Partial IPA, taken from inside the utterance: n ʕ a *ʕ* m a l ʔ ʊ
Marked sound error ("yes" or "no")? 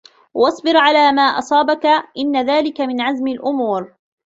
yes